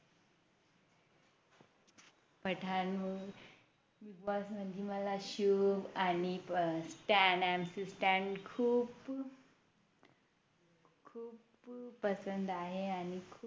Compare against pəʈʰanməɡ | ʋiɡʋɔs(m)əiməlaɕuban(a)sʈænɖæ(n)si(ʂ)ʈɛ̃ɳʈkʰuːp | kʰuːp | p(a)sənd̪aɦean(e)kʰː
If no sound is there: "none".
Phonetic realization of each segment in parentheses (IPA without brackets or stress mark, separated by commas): m, i, m, s, ə, i